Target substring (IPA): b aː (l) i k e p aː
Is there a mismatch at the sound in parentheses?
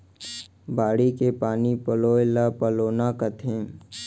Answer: yes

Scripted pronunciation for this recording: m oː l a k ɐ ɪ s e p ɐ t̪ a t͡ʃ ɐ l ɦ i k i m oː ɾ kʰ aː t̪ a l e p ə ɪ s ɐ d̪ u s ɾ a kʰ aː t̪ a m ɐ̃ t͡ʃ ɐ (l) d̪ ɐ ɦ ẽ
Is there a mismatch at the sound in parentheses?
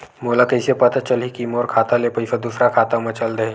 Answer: no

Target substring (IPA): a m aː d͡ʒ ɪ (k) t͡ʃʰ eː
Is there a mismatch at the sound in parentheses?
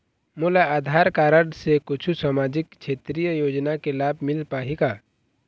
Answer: no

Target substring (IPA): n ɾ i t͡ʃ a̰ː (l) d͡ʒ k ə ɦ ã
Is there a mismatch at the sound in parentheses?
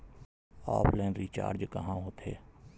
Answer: yes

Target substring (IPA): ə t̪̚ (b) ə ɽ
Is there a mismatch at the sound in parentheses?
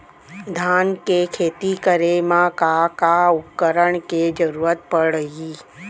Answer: yes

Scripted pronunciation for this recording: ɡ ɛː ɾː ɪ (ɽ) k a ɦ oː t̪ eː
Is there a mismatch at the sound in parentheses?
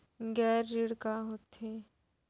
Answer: no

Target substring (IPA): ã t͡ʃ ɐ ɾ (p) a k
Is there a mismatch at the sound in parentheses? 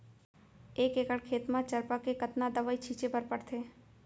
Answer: no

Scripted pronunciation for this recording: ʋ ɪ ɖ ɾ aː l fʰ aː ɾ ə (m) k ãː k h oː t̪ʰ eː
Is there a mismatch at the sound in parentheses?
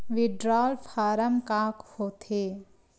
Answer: no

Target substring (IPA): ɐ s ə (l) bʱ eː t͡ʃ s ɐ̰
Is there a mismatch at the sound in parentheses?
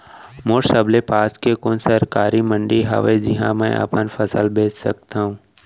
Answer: no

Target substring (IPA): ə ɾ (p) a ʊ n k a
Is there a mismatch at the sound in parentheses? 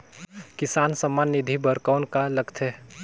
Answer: yes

